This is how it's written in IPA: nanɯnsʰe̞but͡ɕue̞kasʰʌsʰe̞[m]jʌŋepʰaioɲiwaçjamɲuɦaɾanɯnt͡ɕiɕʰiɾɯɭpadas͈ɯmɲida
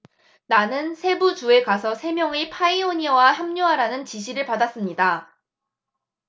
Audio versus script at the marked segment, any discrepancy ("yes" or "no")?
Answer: no